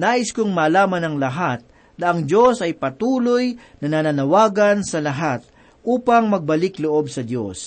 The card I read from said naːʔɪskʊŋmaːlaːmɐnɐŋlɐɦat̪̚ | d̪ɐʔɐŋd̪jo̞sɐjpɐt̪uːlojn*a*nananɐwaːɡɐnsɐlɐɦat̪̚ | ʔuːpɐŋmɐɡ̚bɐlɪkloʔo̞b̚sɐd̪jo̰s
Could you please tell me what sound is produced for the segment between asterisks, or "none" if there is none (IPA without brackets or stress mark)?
ɐ